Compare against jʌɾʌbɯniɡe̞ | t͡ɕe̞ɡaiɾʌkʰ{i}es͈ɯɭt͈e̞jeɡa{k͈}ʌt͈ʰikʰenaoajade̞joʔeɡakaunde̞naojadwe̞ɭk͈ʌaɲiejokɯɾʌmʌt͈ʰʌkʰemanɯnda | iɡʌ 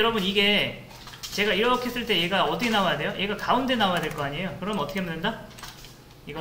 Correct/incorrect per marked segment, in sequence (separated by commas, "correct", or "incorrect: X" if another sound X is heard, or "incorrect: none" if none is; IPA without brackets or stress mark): incorrect: e, incorrect: none